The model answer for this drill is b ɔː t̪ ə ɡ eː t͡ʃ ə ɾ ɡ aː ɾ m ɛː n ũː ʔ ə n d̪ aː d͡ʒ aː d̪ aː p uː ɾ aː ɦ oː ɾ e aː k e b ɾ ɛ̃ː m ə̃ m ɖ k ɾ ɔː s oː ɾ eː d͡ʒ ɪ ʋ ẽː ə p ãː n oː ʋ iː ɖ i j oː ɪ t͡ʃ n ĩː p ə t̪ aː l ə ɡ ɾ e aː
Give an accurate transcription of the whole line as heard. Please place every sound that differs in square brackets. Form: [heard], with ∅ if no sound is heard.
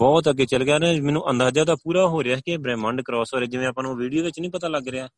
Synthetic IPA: b ɔː t̪ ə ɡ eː t͡ʃ ə [l] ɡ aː ɾ m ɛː n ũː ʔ ə n d̪ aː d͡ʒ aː d̪ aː p uː ɾ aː ɦ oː ɾ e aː k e b ɾ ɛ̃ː m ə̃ [ɳ] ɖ k ɾ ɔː s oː ɾ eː d͡ʒ ɪ ʋ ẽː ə p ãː n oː ʋ iː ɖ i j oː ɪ t͡ʃ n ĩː p ə t̪ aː l ə ɡ ɾ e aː